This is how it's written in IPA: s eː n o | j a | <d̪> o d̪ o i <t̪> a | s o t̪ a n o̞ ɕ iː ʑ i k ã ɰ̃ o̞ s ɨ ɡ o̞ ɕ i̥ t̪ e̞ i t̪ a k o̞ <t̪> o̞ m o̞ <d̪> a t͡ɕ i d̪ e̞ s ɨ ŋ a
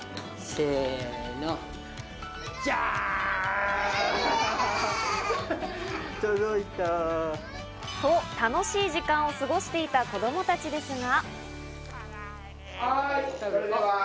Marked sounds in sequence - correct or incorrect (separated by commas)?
incorrect, correct, incorrect, incorrect